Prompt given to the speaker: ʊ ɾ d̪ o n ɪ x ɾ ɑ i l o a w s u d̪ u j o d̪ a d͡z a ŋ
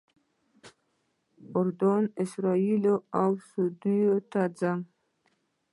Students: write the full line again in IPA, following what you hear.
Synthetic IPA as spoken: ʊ ɾ d̪ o n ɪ s ɾ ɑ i l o a w s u d̪ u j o t̪ a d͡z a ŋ